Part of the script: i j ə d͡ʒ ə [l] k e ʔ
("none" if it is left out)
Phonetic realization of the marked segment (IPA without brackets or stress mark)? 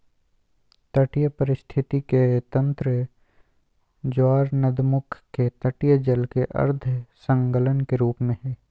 l